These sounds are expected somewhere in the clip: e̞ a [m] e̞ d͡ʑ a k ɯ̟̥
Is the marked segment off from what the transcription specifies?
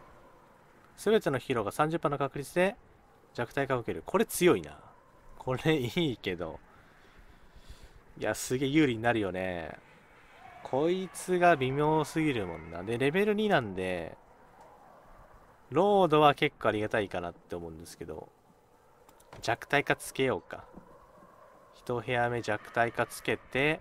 no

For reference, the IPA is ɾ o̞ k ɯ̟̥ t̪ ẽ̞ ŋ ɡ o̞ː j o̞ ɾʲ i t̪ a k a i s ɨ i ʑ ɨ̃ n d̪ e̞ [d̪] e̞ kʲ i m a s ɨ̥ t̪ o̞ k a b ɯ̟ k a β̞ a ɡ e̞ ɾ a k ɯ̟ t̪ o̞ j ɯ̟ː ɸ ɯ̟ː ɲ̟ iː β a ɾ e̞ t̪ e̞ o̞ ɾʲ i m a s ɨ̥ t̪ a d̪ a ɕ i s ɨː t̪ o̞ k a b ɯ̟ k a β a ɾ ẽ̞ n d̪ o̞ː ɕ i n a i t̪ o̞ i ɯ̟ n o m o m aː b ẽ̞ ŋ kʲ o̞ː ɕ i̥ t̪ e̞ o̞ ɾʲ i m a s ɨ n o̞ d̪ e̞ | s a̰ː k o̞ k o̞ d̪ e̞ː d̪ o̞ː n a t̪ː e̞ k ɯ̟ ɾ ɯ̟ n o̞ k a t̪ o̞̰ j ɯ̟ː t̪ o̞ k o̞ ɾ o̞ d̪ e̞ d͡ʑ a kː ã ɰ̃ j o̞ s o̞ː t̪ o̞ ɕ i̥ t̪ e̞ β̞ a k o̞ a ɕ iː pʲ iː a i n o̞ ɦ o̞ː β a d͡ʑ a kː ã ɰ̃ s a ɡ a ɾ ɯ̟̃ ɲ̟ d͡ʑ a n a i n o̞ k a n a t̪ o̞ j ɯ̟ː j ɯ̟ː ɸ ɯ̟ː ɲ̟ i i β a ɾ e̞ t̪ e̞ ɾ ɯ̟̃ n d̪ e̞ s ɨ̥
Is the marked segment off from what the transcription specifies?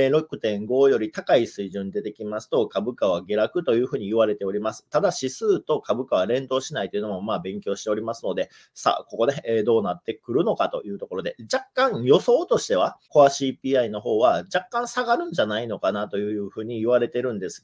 yes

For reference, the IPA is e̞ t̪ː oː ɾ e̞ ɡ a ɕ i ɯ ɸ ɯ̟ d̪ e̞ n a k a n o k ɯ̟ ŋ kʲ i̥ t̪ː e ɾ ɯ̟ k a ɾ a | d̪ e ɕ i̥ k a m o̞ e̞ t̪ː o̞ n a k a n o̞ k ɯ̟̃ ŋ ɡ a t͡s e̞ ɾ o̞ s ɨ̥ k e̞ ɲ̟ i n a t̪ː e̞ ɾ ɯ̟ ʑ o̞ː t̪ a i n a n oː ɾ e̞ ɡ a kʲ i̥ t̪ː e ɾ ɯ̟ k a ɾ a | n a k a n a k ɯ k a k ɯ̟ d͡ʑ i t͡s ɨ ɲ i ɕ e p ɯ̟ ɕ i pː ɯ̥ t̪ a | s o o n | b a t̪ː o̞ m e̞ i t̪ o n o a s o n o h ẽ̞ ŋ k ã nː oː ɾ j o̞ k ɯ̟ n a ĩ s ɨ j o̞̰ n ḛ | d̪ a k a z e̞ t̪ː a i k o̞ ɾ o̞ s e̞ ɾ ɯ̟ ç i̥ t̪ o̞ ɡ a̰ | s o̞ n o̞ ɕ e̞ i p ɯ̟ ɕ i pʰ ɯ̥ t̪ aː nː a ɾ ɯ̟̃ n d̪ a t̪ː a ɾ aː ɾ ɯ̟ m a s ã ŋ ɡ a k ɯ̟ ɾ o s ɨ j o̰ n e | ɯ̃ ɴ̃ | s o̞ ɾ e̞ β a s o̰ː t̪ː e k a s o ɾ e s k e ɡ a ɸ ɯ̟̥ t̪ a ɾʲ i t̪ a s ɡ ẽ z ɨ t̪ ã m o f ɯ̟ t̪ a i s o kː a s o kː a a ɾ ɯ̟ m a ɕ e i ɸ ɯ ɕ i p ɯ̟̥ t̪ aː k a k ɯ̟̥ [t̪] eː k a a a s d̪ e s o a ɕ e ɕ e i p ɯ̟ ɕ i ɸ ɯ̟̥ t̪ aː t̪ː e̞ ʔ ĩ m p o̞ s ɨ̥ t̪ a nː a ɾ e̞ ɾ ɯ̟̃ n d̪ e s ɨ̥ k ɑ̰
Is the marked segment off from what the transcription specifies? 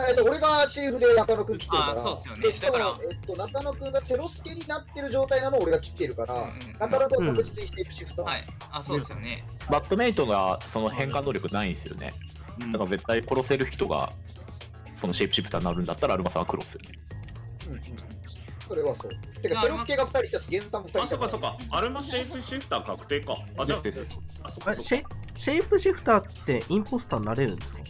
no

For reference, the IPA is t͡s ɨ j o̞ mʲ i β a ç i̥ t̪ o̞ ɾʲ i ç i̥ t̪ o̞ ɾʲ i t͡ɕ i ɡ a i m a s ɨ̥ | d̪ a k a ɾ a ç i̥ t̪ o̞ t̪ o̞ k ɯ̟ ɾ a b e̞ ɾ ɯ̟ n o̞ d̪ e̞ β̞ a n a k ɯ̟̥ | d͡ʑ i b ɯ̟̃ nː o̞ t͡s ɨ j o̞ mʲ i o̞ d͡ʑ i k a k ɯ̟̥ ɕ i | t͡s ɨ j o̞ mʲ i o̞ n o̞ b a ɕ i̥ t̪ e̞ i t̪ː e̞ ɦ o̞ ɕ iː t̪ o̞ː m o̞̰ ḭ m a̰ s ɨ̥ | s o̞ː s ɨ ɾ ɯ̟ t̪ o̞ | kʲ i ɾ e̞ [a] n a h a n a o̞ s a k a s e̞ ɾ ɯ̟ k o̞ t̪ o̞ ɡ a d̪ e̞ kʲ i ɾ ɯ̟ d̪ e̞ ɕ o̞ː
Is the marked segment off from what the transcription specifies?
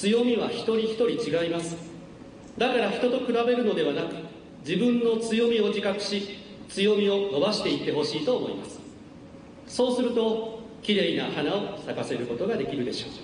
yes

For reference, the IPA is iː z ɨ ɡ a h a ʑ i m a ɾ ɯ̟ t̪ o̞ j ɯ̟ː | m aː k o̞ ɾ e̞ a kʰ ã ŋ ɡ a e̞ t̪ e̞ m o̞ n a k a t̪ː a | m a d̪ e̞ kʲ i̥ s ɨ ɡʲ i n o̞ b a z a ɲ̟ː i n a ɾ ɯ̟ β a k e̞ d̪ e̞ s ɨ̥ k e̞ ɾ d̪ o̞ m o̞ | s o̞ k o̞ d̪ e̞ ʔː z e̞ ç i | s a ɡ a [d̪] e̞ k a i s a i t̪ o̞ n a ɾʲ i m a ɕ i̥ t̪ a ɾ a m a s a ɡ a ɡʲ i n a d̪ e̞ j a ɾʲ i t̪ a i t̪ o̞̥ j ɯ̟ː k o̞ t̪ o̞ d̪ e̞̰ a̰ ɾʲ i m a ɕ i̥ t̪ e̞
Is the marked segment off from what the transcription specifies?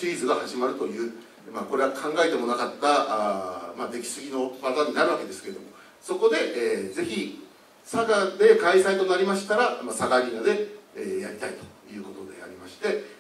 no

